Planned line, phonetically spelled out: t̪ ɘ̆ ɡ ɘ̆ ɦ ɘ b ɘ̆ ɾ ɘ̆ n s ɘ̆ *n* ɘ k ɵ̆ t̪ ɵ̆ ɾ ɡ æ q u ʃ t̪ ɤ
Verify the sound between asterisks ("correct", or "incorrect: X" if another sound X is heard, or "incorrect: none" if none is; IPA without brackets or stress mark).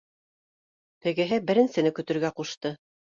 correct